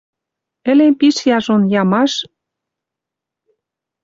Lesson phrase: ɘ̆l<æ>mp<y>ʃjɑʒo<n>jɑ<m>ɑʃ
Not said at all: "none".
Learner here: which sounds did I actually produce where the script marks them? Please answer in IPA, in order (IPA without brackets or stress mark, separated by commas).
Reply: e, i, n, m